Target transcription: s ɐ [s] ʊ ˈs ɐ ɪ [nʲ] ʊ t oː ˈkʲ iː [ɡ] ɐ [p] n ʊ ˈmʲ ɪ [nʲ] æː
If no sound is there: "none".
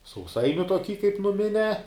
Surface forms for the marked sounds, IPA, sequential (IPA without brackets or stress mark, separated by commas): none, nʲ, k, p, nʲ